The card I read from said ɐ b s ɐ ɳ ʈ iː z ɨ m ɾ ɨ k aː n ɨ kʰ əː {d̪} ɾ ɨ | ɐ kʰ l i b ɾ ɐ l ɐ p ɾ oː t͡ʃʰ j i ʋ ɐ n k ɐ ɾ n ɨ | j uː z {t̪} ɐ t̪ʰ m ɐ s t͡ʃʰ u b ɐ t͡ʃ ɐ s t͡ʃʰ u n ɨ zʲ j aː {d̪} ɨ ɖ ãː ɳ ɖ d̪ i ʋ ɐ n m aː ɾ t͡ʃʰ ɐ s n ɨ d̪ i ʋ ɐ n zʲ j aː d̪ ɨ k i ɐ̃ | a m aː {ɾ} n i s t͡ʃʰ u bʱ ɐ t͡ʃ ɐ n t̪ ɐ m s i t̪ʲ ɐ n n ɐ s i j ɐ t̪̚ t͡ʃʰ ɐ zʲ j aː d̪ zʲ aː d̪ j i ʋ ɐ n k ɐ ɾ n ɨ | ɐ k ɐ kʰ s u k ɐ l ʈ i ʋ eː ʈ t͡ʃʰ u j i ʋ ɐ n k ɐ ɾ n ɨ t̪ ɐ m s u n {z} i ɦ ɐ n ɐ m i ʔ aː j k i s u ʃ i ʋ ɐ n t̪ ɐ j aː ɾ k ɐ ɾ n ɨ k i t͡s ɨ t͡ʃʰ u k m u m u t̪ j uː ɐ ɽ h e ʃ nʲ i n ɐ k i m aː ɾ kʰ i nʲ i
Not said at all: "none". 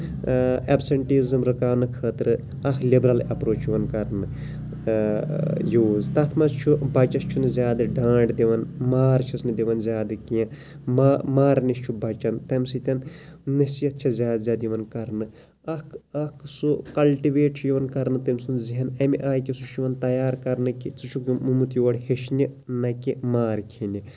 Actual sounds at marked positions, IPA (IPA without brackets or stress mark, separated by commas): t̪, t̪, d̪, ɾ, z